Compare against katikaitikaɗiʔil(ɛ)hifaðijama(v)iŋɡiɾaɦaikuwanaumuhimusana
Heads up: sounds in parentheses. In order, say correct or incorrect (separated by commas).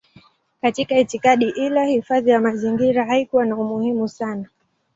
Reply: incorrect, incorrect